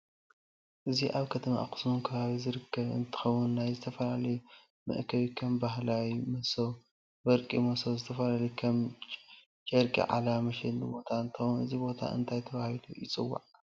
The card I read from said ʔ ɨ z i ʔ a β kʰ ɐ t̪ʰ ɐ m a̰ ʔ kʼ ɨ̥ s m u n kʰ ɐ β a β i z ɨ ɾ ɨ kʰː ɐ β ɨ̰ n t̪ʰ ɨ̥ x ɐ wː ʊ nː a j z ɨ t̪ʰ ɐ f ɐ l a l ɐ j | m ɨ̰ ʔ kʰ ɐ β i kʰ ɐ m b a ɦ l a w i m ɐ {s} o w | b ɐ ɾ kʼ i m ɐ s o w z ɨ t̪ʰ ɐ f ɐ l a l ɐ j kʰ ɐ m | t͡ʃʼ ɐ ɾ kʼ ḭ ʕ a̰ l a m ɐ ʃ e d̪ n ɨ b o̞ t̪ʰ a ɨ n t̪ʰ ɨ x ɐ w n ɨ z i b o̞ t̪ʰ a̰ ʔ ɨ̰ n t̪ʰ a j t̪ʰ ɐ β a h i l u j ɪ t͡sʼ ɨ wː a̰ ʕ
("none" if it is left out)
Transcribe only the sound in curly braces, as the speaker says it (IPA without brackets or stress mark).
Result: s